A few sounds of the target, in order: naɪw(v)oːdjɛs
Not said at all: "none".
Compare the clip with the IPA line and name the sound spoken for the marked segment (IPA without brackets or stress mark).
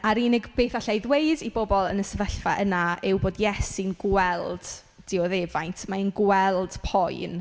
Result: b